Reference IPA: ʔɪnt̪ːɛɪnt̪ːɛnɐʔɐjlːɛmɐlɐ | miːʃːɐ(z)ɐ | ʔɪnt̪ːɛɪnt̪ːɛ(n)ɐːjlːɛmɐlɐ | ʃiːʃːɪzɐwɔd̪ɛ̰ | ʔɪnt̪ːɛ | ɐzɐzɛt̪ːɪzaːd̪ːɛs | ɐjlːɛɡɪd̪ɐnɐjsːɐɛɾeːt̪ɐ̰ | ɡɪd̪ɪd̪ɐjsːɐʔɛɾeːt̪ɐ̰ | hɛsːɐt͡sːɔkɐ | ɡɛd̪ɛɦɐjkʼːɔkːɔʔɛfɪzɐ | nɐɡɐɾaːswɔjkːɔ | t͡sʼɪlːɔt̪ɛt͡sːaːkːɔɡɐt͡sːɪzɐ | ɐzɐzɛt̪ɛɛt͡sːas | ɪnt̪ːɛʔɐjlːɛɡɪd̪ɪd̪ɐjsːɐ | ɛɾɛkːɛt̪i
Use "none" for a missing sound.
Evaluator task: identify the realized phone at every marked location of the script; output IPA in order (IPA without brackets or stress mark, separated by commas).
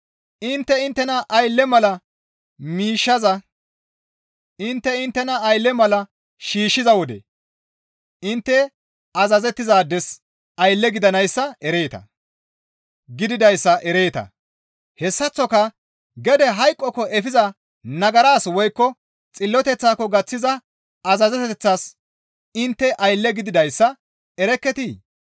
z, n